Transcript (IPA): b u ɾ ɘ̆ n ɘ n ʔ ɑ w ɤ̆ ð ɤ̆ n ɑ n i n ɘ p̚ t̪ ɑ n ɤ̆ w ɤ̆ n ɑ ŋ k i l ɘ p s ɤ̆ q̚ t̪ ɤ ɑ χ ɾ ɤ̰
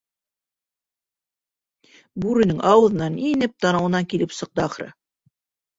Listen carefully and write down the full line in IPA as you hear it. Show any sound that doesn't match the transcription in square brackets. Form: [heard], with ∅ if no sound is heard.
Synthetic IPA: b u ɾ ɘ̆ n ɘ [ŋ] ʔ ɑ w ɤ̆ ð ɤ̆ n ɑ n i n ɘ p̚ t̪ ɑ n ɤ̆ w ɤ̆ n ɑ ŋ k i l ɘ p s ɤ̆ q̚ t̪ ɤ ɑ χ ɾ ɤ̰